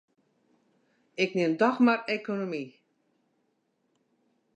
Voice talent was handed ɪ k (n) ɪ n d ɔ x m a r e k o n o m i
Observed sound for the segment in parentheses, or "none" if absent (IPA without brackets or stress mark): n